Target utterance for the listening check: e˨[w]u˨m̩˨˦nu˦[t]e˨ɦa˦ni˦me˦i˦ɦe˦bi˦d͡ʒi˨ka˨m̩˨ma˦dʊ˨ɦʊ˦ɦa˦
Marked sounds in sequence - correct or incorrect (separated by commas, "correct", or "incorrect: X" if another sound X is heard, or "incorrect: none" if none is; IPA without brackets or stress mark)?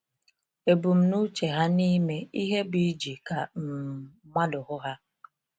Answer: incorrect: b, incorrect: t͡ʃ